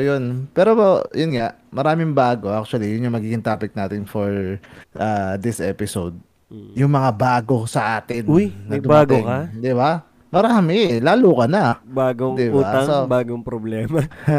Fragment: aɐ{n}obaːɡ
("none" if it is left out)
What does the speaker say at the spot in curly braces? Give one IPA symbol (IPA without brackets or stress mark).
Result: ŋ